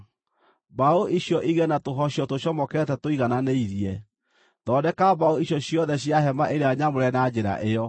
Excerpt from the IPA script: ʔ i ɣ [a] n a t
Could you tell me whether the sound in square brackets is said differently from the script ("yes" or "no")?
yes